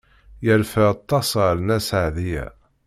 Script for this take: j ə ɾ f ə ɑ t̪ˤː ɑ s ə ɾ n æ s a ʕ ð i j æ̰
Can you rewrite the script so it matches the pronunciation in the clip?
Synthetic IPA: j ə ɾ f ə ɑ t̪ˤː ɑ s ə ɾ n æ s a ʕ ð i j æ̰